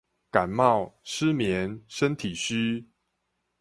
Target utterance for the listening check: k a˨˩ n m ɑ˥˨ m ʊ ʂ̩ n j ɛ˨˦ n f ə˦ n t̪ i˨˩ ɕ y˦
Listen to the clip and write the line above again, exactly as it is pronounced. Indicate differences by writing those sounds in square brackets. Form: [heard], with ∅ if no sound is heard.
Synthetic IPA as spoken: k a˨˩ n m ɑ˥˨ [∅] ʊ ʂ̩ [m] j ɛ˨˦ n [ʂ] ə˦ n [t̪ʰ] i˨˩ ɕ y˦